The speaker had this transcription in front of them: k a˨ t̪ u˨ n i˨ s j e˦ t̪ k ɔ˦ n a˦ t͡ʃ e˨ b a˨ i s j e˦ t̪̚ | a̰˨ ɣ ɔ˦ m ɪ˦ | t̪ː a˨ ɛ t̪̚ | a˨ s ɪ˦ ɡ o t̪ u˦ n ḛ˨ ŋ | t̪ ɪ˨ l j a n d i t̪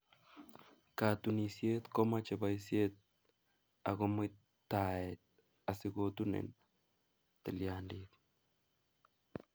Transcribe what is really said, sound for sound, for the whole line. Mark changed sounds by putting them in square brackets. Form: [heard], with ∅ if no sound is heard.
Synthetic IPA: k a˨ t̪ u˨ n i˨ s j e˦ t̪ k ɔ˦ [m] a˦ t͡ʃ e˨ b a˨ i s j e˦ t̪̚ | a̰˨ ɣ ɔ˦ m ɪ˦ | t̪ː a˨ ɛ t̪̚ | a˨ s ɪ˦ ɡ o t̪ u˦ n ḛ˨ [n] | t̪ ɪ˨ l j a n d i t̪